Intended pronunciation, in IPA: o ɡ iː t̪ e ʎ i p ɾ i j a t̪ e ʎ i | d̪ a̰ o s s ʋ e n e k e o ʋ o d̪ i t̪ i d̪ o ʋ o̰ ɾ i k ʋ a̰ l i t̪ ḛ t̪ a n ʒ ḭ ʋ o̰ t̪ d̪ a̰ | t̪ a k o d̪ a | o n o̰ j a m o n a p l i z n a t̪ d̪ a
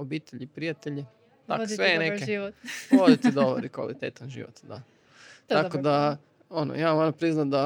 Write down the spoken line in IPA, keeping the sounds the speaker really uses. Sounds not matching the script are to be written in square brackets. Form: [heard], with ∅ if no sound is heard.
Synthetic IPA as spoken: o [b] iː t̪ e ʎ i p ɾ i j a t̪ e ʎ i | [t̪] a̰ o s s ʋ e n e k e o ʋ o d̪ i t̪ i d̪ o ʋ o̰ ɾ i k ʋ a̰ l i t̪ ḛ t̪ a n ʒ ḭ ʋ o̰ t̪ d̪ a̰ | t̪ a k o d̪ a | o n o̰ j a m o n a p [ɾ] i z n a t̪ d̪ a